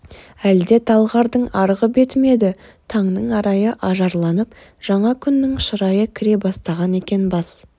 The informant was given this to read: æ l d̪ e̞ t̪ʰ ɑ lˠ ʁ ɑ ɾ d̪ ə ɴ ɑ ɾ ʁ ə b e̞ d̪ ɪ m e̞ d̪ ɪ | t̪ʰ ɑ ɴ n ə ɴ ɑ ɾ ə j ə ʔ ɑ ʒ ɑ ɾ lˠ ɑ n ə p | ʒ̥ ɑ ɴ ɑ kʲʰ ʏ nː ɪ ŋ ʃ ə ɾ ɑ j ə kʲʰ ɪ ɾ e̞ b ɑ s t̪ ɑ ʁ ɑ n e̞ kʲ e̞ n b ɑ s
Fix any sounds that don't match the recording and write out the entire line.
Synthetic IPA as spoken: æ l d̪ e̞ t̪ʰ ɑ lˠ ʁ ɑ ɾ d̪ ə ɴ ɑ ɾ ʁ ə b e̞ t̪ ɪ m e̞ d̪ ɪ | t̪ʰ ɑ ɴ n ə ɴ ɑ ɾ ɑ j ə ʔ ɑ ʒ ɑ ɾ lˠ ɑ n ə p | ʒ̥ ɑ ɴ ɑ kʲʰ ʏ nː ɪ ŋ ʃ ə ɾ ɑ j ə kʲʰ ɪ ɾ e̞ b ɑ s t̪ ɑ ʁ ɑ n e̞ kʲ e̞ n b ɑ s